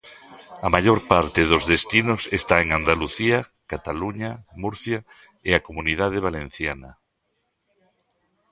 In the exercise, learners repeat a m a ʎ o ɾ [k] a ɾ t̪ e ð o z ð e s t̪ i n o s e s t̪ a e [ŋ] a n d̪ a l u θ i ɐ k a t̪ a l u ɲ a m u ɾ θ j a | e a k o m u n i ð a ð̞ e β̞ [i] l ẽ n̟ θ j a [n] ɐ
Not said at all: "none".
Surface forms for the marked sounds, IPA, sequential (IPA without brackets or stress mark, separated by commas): p, ŋ, a, n